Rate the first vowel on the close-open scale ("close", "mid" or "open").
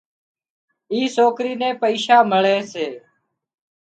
close